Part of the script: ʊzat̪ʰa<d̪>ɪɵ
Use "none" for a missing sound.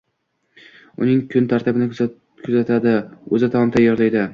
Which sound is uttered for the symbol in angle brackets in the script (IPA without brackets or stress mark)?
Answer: d̪